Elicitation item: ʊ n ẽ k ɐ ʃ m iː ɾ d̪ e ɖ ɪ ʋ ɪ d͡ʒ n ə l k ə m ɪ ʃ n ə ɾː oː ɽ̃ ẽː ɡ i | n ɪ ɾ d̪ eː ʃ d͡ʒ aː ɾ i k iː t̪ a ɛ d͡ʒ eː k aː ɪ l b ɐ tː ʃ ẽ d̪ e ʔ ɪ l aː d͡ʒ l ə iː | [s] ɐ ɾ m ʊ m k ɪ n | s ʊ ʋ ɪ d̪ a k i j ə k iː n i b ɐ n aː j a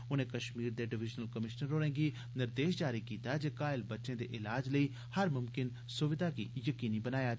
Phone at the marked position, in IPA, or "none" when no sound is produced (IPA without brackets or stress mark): h